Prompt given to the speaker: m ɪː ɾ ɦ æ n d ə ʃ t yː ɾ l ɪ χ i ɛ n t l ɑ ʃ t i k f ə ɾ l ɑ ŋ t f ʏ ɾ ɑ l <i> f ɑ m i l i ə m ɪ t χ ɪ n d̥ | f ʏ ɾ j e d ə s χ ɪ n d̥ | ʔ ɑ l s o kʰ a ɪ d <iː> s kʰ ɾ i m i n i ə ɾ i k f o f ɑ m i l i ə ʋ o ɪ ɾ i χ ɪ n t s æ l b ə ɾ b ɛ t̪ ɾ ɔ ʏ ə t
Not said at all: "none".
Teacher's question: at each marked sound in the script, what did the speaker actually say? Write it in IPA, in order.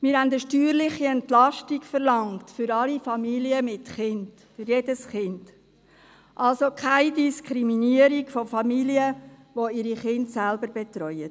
i, i

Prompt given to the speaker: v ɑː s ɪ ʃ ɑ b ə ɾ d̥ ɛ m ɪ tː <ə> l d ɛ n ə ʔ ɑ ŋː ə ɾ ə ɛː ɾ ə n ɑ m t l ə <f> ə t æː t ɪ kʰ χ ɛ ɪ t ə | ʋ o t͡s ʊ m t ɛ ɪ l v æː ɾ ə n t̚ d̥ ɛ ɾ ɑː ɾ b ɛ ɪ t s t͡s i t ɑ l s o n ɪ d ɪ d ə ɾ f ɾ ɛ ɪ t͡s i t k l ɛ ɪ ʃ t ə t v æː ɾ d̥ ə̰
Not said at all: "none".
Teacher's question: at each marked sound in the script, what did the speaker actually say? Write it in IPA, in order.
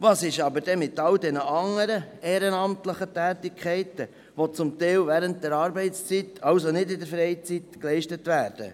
ɑ, χ

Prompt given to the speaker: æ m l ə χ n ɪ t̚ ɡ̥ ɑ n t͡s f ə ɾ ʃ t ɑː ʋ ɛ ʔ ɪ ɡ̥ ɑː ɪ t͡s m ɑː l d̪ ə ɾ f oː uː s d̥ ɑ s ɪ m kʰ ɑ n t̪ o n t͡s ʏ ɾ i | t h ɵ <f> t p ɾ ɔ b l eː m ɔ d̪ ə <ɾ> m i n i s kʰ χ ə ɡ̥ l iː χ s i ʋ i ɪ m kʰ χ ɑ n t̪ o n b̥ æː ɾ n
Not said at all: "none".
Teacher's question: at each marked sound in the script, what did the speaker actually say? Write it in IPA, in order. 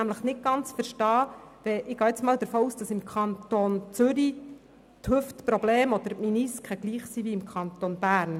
f, ɾ

